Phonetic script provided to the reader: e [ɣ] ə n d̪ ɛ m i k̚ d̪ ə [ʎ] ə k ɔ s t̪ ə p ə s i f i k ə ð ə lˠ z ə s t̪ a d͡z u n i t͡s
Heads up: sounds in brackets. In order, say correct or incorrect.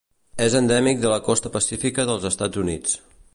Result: incorrect, incorrect

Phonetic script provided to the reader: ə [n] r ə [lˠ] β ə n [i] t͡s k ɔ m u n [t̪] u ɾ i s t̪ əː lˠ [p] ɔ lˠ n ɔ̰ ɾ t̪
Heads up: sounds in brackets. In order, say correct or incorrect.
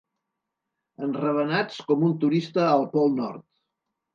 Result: correct, incorrect, incorrect, correct, correct

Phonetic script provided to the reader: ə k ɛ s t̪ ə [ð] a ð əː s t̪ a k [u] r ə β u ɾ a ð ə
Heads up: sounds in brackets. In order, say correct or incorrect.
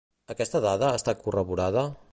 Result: correct, correct

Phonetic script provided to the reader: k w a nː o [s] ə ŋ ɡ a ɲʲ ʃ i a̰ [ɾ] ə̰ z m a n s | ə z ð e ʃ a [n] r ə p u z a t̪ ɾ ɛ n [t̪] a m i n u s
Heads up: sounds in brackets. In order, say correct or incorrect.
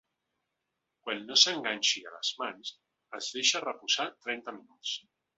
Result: correct, incorrect, incorrect, correct

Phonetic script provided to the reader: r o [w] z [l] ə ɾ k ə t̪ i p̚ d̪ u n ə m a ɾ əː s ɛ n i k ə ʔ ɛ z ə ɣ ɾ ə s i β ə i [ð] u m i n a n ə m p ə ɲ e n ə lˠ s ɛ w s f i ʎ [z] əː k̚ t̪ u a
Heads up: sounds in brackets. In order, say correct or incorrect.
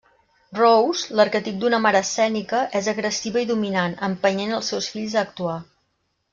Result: correct, correct, correct, correct

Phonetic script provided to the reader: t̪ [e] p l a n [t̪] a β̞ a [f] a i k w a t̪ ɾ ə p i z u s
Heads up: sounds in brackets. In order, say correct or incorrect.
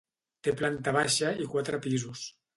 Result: correct, correct, incorrect

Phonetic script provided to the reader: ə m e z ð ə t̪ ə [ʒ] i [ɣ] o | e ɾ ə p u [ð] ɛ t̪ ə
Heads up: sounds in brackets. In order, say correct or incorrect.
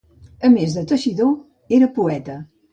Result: incorrect, incorrect, incorrect

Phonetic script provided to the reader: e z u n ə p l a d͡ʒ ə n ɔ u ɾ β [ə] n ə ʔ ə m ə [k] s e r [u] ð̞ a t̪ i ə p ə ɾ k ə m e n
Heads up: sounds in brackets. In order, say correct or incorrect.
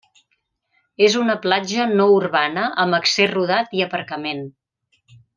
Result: incorrect, correct, correct

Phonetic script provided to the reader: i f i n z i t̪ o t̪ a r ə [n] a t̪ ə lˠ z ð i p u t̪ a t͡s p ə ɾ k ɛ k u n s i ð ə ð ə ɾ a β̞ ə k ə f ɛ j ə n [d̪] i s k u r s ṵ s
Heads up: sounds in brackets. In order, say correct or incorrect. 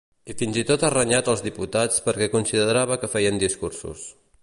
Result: incorrect, correct

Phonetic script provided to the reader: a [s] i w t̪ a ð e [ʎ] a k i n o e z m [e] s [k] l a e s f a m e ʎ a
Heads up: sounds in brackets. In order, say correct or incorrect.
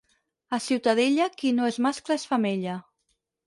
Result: correct, correct, incorrect, correct

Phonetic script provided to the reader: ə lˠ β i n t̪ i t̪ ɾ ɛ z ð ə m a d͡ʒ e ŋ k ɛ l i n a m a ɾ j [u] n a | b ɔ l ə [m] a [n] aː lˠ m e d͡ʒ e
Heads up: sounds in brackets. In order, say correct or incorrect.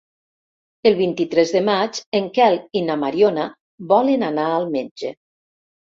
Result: incorrect, incorrect, correct

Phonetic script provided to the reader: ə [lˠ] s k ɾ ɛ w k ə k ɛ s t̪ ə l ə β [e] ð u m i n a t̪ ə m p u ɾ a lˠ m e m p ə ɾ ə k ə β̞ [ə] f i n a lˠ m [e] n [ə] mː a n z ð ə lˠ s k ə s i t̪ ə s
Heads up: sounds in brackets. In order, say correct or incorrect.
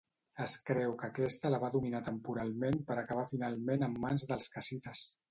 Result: incorrect, incorrect, incorrect, correct, correct

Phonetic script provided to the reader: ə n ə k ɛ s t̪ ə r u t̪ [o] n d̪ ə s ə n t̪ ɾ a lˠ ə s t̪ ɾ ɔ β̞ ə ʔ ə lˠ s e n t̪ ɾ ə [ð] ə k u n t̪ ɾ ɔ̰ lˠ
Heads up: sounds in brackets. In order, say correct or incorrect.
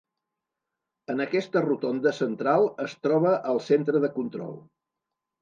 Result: correct, correct

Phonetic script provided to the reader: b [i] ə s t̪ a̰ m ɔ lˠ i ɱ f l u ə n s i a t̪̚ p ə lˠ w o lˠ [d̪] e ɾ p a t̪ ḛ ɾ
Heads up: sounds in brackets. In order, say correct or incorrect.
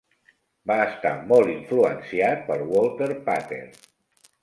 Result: incorrect, incorrect

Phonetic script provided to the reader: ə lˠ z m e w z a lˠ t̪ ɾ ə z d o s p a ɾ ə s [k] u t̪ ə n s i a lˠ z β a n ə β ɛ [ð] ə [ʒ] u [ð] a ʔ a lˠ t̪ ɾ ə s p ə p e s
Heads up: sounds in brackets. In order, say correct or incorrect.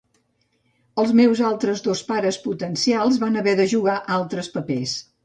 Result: incorrect, correct, correct, incorrect

